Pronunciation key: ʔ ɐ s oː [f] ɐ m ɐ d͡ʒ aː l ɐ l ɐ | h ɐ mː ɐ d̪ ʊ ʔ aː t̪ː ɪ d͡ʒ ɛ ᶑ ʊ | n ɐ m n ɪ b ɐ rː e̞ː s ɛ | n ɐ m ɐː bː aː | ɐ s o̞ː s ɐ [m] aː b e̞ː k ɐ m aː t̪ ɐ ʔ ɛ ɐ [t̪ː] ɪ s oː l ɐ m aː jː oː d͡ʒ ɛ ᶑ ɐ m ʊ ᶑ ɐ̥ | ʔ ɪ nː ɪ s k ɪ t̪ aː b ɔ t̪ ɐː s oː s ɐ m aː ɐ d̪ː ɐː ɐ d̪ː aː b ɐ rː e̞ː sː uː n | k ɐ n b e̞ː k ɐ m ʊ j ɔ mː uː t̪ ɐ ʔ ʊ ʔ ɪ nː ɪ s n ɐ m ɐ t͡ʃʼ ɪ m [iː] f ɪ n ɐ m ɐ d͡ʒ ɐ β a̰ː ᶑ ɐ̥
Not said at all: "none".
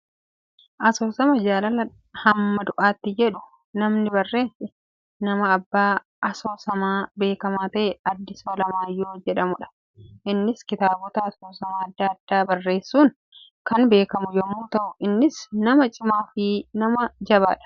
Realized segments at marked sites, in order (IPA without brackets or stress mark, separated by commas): s, m, d̪ː, aː